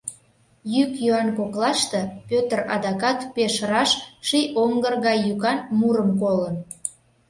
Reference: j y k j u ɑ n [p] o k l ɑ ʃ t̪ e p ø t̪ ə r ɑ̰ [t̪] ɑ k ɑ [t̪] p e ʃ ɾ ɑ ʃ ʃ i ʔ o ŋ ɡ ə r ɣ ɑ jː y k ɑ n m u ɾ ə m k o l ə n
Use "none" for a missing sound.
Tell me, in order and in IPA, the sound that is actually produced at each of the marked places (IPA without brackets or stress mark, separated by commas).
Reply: k, d̪, t̪